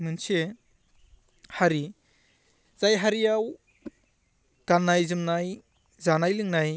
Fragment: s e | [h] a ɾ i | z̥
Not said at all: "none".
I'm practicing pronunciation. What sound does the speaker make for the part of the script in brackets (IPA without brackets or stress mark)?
h